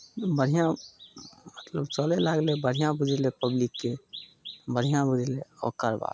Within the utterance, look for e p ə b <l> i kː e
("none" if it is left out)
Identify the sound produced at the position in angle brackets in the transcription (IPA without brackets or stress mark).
l